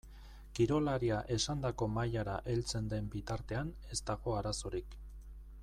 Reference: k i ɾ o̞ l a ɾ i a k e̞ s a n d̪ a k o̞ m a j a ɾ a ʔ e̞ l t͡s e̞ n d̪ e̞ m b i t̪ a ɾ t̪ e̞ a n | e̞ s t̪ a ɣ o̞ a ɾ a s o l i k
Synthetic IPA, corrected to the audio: k i ɾ o̞ l a ɾ i a ʔ e̞ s a n d̪ a k o̞ m a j a ɾ a ʔ e̞ l t͡s e̞ n d̪ e̞ m b i t̪ a ɾ t̪ e̞ a n | e̞ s t̪ a ɣ o̞ a ɾ a s o ɾ i k